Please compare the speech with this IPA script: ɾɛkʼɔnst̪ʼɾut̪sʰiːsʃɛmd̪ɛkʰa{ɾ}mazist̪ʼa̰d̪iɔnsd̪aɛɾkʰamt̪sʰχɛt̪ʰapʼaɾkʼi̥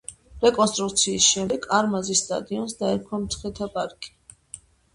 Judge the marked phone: correct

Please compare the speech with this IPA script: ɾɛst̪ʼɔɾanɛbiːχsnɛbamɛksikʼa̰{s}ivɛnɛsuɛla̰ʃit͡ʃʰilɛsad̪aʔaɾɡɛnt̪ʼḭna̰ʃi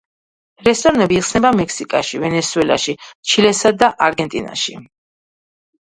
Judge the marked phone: incorrect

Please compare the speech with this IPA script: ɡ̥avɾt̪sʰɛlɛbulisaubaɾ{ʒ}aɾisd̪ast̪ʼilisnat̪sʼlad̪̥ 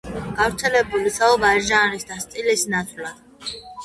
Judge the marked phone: correct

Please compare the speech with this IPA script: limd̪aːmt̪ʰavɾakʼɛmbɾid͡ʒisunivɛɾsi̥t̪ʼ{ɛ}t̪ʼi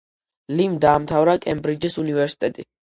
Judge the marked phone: correct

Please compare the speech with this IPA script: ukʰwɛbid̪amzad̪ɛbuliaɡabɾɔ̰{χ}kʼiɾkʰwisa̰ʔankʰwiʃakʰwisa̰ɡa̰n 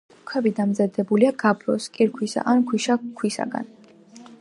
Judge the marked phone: incorrect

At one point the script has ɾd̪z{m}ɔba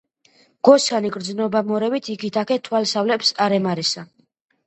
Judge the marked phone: incorrect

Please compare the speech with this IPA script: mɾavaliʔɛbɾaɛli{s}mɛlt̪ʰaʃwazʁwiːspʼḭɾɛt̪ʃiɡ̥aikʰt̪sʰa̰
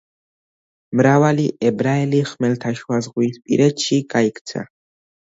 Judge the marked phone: incorrect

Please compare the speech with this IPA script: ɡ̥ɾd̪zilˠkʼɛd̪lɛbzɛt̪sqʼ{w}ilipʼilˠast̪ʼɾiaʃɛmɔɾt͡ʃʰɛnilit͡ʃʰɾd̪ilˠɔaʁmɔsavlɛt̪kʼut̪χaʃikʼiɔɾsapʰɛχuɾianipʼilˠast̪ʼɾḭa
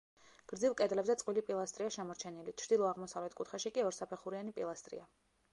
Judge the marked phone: correct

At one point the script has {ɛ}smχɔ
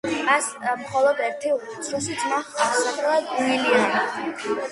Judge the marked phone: incorrect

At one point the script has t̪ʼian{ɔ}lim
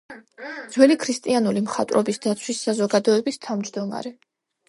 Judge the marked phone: incorrect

